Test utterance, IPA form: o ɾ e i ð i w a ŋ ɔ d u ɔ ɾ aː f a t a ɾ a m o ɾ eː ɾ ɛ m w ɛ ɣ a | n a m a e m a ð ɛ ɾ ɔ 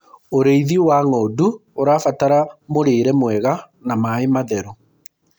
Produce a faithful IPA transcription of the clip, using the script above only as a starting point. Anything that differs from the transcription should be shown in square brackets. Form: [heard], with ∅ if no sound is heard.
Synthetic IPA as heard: o ɾ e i ð i w a ŋ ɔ d u [o] ɾ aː f a t a ɾ a m o ɾ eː ɾ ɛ m w ɛ ɣ a | n a m a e m a ð ɛ ɾ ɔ